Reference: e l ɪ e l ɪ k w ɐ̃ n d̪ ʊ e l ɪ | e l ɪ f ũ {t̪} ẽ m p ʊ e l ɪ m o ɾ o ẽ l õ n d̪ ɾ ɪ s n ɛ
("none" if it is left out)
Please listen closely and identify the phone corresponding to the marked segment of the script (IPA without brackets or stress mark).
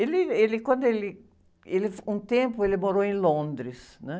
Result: t̪